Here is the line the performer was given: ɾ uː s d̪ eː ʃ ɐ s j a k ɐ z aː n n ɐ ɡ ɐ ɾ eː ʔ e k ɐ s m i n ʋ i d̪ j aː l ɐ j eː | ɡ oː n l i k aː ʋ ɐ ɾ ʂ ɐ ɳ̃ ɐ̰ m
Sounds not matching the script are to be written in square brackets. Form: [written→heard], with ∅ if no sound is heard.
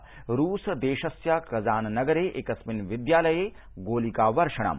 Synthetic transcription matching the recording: ɾ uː s d̪ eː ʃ ɐ s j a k ɐ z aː n n ɐ ɡ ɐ ɾ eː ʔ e k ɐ s m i n ʋ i d̪ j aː l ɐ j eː | ɡ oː [n→∅] l i k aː ʋ ɐ ɾ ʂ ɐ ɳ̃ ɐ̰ m